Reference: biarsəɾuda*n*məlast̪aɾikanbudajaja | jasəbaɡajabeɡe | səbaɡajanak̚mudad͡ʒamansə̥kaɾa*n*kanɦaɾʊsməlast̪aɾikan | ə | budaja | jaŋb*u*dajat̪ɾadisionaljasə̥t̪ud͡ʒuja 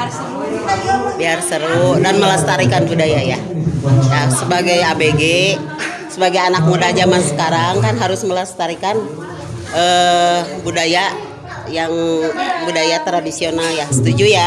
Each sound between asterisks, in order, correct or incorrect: correct, incorrect: ŋ, correct

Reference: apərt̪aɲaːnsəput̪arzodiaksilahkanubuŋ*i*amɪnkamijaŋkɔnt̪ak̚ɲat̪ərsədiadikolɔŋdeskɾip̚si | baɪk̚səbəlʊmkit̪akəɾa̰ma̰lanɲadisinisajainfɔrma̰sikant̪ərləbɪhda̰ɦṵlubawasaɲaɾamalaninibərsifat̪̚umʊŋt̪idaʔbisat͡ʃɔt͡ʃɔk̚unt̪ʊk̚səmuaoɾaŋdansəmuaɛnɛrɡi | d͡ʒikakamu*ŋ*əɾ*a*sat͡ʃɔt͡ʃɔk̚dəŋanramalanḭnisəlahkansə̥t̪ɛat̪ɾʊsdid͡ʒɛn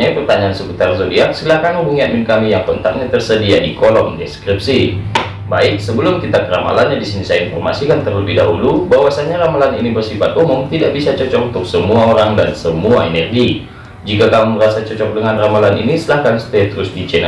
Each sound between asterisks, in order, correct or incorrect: correct, incorrect: m, correct

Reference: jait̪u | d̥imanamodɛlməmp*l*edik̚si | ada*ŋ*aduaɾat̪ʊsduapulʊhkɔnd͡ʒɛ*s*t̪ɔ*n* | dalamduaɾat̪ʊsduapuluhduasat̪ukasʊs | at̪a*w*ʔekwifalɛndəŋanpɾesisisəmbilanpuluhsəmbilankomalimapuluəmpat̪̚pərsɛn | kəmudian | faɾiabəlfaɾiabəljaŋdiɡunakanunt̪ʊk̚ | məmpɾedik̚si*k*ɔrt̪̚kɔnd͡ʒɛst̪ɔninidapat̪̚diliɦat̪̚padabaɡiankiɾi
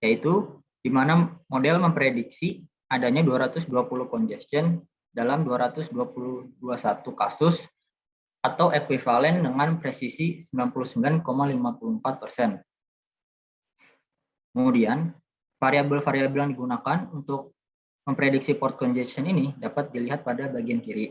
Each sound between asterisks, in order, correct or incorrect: incorrect: ɾ, incorrect: ɲ, correct, correct, correct, incorrect: p

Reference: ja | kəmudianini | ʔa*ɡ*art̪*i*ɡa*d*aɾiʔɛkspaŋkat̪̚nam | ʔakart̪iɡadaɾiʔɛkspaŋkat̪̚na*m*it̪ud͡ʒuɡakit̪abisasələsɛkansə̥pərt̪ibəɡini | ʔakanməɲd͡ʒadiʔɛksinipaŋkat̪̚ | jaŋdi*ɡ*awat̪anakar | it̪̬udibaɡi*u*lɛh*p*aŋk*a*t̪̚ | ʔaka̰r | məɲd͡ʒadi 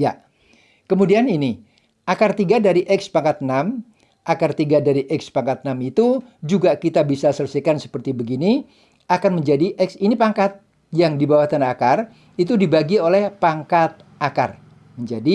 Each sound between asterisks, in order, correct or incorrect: incorrect: k, correct, correct, correct, incorrect: b, incorrect: o, correct, correct

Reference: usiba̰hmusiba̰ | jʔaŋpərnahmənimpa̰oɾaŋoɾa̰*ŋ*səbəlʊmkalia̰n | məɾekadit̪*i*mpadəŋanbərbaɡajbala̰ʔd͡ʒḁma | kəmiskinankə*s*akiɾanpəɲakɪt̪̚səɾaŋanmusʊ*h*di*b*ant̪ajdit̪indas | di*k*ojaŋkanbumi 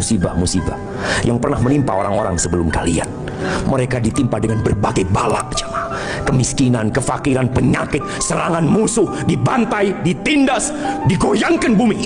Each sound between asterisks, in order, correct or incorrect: correct, correct, incorrect: f, correct, correct, incorrect: ɡ

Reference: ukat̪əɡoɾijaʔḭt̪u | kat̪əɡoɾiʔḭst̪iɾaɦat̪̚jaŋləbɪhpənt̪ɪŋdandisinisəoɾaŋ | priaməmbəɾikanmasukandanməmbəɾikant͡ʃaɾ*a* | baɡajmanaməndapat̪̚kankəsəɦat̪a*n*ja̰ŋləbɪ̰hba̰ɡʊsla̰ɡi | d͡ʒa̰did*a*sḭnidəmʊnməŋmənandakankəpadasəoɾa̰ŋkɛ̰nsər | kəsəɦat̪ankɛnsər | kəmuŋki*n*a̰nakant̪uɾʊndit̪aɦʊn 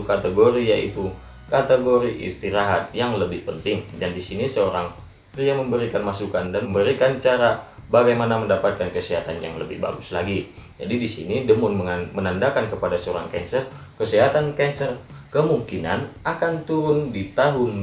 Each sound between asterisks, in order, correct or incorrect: correct, correct, incorrect: i, correct

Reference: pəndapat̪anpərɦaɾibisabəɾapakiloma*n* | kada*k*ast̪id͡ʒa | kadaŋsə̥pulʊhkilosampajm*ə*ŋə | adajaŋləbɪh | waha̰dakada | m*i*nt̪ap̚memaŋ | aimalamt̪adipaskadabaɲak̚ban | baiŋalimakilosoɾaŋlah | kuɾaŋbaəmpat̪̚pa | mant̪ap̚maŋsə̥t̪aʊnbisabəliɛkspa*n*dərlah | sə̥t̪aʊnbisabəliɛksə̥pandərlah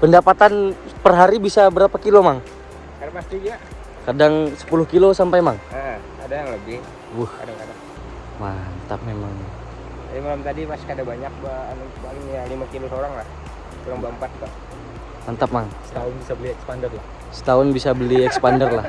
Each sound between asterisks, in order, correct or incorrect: incorrect: ŋ, incorrect: p, incorrect: a, incorrect: a, correct

